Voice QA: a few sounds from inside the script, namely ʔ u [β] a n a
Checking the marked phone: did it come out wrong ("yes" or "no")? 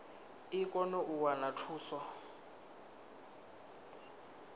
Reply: yes